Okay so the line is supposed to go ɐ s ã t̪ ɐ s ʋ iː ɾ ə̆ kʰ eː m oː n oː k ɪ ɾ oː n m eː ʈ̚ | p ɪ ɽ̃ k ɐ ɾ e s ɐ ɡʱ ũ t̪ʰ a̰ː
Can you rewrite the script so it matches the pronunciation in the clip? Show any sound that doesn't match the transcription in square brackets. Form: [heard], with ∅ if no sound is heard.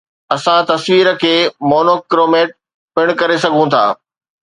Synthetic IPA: ɐ s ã t̪ ɐ s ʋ iː ɾ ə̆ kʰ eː m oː n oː k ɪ ɾ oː [∅] m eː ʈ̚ | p ɪ ɽ̃ k ɐ ɾ e s ɐ ɡʱ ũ t̪ʰ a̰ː

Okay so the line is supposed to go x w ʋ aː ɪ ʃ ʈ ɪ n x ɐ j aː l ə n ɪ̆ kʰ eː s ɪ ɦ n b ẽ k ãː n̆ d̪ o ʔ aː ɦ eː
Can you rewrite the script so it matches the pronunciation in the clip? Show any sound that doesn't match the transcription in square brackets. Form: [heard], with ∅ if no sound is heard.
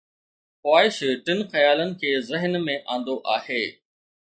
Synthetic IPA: x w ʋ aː ɪ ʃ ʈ ɪ n x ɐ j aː l ə n ɪ̆ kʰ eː [z] ɪ ɦ n [m] ẽ [ʔ] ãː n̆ d̪ o ʔ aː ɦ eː

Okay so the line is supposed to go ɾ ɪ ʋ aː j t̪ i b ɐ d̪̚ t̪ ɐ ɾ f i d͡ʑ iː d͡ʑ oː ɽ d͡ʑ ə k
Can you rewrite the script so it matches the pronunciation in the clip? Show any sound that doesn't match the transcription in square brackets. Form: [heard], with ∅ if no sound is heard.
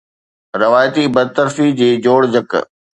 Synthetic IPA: ɾ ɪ ʋ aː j t̪ i b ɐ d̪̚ t̪ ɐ ɾ f i d͡ʑ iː d͡ʑ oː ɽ d͡ʑ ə k

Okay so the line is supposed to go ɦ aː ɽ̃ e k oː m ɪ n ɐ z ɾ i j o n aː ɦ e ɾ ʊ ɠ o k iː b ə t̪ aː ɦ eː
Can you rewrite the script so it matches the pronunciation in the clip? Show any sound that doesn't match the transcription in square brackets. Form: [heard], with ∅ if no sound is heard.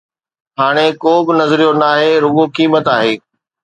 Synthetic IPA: ɦ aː ɽ̃ e k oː [b] ɪ n ɐ z ɾ i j o n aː ɦ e ɾ ʊ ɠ o k iː [m] ə t̪ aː ɦ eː

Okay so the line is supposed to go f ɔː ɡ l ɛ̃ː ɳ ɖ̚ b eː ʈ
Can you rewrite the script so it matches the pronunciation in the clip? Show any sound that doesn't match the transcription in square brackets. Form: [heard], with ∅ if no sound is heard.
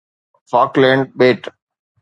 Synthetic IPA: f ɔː [k] l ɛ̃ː ɳ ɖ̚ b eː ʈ

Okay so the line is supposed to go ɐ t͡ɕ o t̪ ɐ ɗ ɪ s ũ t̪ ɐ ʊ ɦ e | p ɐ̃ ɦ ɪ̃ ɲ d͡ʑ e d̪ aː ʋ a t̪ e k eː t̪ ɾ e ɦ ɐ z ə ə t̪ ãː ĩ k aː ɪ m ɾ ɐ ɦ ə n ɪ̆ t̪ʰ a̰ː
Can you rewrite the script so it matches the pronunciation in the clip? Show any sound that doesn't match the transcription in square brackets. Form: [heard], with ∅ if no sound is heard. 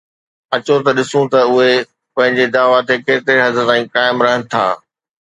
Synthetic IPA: ɐ t͡ɕ o t̪ ɐ ɗ ɪ s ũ t̪ ɐ ʊ ɦ e | p ɐ̃ ɦ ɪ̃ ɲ d͡ʑ e d̪ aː ʋ a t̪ e k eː t̪ ɾ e ɦ ɐ z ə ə t̪ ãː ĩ k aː ɪ m ɾ ɐ ɦ ə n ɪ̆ t̪ʰ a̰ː

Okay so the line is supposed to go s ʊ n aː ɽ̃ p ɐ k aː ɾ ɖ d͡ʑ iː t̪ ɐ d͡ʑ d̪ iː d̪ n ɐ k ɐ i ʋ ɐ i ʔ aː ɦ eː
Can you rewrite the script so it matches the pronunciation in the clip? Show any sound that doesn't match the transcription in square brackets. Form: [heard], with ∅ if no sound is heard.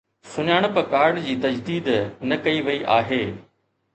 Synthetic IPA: s ʊ [ɲ] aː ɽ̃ p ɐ k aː ɾ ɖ d͡ʑ iː t̪ ɐ d͡ʑ d̪ iː d̪ n ɐ k ɐ i ʋ ɐ i ʔ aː ɦ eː

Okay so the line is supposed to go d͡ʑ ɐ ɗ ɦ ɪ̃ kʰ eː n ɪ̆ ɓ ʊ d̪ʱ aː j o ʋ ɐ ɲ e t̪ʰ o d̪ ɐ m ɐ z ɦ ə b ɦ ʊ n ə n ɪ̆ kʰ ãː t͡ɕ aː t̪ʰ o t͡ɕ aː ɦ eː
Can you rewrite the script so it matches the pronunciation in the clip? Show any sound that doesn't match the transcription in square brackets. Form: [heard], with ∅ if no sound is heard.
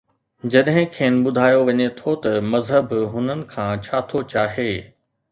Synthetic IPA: d͡ʑ ɐ ɗ ɦ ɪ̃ kʰ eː n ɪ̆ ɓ ʊ d̪ʱ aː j o ʋ ɐ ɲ e t̪ʰ o [t̪] ɐ m ɐ z ɦ ə b ɦ ʊ n ə n ɪ̆ kʰ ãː [t͡ɕʰ] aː t̪ʰ o t͡ɕ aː ɦ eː

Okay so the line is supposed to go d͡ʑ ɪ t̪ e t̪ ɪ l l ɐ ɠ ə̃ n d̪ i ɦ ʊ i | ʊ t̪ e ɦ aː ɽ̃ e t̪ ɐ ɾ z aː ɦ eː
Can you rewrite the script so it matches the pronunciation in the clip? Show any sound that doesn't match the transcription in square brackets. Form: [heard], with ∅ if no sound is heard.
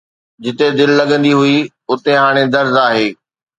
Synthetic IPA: d͡ʑ ɪ t̪ e [d̪] ɪ l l ɐ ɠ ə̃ n d̪ i ɦ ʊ i | ʊ t̪ e ɦ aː ɽ̃ e [d̪] ɐ ɾ z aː ɦ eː

